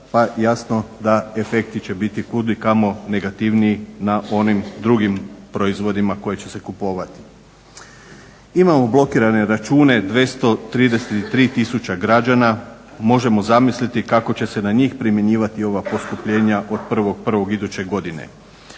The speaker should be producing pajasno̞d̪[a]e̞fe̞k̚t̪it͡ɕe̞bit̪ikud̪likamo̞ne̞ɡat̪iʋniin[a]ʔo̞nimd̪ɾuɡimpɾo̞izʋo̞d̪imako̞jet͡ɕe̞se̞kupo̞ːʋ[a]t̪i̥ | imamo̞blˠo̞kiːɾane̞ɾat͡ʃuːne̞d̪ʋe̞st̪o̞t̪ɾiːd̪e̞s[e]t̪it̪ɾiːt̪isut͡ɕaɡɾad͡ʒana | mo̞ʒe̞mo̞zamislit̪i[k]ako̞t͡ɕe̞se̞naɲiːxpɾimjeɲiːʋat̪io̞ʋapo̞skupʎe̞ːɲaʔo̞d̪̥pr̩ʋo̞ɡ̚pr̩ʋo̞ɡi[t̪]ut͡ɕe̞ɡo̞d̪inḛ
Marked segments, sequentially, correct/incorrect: correct, correct, correct, correct, correct, incorrect: d̪

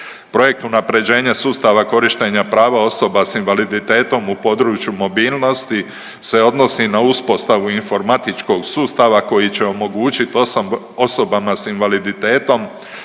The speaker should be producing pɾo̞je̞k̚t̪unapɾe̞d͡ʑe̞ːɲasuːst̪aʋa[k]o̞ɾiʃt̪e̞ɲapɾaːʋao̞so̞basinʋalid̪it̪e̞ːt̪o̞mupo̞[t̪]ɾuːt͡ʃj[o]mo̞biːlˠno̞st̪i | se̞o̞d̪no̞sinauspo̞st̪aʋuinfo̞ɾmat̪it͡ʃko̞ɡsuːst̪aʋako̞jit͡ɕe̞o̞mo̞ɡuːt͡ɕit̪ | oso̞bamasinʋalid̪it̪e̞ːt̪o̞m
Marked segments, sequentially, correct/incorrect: correct, incorrect: d̪, incorrect: u

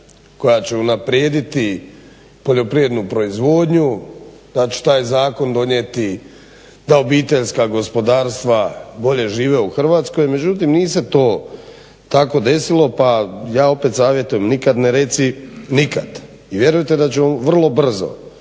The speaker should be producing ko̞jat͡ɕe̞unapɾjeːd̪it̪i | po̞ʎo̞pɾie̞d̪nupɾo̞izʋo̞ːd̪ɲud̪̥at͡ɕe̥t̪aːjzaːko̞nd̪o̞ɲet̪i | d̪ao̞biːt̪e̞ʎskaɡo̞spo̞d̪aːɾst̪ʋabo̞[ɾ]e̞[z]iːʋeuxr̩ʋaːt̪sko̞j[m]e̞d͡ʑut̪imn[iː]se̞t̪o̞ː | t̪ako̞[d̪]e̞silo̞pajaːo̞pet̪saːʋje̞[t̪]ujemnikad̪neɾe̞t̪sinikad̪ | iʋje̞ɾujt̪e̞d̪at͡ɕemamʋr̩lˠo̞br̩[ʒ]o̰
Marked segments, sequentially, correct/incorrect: incorrect: ʎ, incorrect: ʒ, correct, correct, correct, correct, incorrect: z

